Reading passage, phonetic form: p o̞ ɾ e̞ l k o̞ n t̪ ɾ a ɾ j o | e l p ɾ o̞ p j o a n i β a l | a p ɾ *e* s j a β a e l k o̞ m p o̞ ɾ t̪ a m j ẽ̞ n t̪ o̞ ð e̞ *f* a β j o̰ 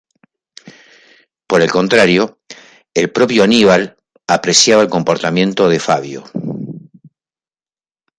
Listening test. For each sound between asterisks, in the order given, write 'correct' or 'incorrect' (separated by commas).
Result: correct, correct